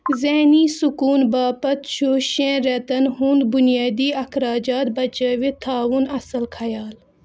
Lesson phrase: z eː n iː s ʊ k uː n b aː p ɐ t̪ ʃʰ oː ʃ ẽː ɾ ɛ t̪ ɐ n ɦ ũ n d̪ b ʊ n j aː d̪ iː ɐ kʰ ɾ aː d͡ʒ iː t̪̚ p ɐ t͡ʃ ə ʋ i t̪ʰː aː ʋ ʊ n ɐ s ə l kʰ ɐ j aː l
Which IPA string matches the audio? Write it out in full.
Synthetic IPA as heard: z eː n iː s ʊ k uː n b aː p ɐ t̪ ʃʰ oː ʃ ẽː ɾ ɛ t̪ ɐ n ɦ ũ n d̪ b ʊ n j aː d̪ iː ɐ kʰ ɾ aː d͡ʒ aː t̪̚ b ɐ t͡ʃ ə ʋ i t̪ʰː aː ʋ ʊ n ɐ s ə l kʰ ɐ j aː l